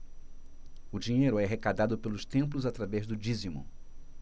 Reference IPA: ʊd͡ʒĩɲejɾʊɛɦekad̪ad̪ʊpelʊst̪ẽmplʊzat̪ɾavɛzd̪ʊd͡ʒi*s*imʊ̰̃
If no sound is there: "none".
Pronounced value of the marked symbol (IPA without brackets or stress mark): z